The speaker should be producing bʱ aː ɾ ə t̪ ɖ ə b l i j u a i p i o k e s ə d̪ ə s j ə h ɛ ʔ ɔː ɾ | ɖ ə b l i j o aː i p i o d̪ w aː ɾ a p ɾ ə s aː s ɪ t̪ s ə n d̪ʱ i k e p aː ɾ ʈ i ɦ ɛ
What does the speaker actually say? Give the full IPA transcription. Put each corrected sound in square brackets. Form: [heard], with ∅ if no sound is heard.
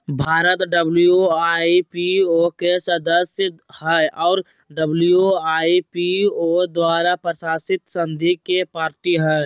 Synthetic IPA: bʱ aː ɾ ə t̪ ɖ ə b l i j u a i p i o k e s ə d̪ ə s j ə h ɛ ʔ ɔː ɾ | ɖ ə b l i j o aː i p i o d̪ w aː ɾ a p ɾ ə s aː s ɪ t̪ s ə n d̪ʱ i k e p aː ɾ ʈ i ɦ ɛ